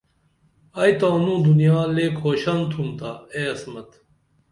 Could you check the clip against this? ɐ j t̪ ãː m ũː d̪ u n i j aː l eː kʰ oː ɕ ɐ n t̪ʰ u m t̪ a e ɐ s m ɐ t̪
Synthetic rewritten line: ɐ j t̪ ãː n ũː d̪ u n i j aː l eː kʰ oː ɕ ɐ n t̪ʰ u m t̪ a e ɐ s m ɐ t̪